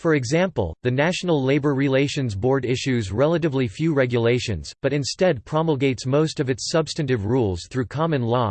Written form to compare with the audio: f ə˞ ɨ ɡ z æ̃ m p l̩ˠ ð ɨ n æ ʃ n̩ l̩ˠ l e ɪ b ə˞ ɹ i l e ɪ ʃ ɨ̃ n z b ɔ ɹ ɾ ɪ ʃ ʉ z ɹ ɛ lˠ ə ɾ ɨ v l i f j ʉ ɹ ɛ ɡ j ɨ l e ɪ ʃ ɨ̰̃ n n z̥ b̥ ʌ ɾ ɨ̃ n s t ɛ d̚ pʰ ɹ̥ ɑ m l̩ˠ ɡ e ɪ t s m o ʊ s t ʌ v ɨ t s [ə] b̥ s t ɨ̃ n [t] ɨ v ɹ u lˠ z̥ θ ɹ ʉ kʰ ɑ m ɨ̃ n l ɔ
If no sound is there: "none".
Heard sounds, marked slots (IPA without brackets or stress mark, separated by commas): ʌ, t